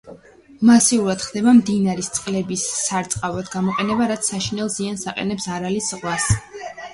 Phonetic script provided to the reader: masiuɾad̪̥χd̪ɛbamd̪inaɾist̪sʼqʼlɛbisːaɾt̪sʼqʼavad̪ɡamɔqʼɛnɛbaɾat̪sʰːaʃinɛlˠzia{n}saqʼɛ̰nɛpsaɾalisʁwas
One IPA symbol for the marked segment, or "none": n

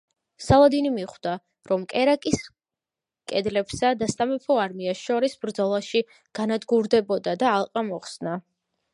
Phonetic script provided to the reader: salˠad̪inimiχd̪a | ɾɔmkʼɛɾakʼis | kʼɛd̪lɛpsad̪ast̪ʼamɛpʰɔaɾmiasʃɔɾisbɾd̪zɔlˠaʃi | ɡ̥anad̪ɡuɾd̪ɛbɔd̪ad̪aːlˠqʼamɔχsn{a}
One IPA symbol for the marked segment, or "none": a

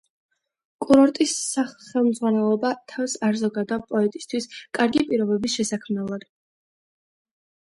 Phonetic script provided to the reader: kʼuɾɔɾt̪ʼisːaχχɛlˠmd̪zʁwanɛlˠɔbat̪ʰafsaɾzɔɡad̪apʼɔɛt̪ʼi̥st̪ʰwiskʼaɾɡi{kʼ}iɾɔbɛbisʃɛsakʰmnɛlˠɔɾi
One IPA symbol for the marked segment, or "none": pʼ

